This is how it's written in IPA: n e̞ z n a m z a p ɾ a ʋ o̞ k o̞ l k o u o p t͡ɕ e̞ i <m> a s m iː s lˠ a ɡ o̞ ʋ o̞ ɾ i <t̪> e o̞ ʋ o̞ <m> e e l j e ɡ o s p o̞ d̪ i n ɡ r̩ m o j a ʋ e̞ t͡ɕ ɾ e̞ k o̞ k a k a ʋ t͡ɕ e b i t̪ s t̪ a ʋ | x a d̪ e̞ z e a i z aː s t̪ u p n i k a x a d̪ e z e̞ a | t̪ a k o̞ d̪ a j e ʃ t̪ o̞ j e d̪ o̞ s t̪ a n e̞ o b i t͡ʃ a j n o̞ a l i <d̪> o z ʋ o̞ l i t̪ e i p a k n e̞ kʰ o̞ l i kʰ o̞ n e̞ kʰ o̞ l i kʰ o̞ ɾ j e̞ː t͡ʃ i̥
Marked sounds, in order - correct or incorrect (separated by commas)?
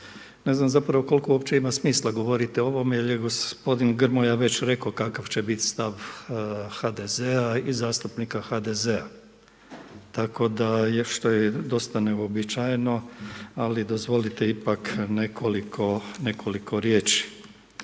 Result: correct, correct, correct, correct